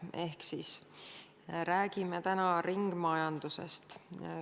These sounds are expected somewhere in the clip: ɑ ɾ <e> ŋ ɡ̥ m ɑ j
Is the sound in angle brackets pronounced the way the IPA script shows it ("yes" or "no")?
no